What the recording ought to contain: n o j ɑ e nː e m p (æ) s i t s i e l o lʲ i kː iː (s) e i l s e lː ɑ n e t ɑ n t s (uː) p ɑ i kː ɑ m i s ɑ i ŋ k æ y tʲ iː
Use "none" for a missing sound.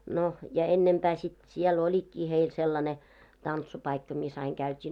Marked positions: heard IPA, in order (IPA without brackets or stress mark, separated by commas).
æː, h, u